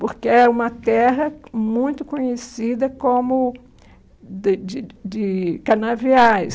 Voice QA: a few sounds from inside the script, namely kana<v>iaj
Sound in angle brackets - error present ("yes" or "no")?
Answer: no